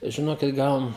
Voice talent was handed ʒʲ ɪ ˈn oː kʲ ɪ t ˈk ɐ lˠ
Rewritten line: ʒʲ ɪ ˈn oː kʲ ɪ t ˈɡ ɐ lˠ